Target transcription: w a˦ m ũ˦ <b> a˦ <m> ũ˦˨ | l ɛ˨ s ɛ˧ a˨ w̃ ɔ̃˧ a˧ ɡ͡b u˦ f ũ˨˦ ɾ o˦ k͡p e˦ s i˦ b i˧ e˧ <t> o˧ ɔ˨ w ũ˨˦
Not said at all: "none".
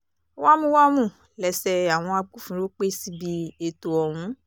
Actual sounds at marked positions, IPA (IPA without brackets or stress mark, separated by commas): w, m, t